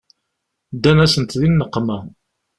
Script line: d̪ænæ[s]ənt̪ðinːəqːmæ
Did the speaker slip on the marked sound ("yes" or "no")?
no